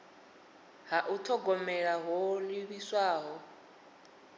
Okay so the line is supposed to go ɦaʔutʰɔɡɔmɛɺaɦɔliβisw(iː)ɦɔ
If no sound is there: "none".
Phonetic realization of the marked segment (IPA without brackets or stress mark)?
aː